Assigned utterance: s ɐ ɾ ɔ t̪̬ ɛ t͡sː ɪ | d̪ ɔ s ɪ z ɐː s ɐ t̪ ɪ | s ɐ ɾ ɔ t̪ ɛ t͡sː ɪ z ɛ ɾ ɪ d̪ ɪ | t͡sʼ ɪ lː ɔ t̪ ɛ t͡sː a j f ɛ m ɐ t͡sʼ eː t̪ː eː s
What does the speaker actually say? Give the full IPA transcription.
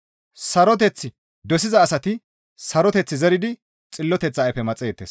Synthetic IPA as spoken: s ɐ ɾ ɔ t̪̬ ɛ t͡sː ɪ | d̪ ɔ s ɪ z ɐː s ɐ t̪ ɪ | s ɐ ɾ ɔ t̪ ɛ t͡sː ɪ z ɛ ɾ ɪ d̪ ɪ | t͡sʼ ɪ lː ɔ t̪ ɛ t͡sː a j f ɛ m ɐ t͡sʼ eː t̪ː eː s